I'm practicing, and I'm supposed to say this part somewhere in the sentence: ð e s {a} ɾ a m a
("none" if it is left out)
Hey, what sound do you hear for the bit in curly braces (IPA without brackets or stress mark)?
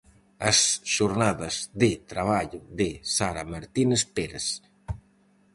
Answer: a